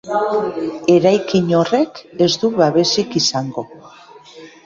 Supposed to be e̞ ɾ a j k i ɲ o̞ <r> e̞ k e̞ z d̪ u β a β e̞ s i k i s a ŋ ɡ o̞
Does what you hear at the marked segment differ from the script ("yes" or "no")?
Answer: no